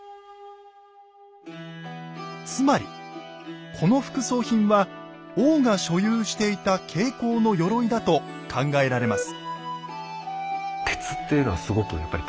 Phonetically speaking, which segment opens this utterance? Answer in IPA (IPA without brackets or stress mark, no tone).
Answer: t͡s